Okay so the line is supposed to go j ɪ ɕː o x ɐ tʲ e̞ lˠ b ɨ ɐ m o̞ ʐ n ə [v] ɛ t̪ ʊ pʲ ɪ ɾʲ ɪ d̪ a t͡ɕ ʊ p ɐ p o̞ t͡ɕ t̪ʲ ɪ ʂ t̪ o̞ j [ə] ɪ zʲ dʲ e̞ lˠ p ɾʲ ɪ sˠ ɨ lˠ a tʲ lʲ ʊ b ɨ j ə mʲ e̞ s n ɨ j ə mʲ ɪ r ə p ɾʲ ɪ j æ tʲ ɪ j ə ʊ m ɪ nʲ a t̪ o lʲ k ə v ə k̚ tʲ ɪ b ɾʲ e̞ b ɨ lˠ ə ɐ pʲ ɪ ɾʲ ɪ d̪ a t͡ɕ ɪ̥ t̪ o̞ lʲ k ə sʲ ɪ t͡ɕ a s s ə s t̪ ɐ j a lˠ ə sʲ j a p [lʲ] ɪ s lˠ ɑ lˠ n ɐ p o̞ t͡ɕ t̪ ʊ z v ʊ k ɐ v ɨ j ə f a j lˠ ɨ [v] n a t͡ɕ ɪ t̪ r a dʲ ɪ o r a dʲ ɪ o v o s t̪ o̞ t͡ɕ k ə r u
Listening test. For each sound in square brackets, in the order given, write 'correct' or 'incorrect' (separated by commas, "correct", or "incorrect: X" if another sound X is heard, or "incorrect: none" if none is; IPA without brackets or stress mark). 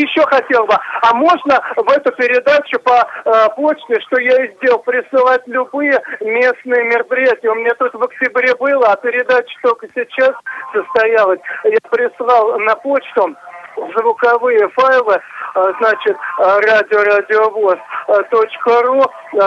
correct, incorrect: a, incorrect: ɾʲ, incorrect: z